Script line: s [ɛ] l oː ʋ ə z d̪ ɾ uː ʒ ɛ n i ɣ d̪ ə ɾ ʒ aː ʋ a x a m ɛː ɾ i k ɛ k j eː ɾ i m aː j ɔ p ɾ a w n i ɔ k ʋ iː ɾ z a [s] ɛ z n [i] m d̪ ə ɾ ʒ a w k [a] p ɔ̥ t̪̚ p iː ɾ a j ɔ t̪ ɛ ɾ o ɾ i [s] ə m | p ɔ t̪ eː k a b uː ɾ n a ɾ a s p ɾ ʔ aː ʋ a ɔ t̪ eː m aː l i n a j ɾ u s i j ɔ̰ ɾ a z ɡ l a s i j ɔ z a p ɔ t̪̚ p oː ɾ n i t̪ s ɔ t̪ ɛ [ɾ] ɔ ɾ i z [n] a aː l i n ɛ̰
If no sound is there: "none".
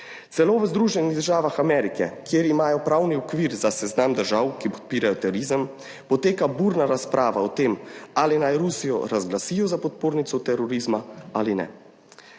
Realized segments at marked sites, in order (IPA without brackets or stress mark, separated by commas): ɛ, s, a, i, z, ɾ, m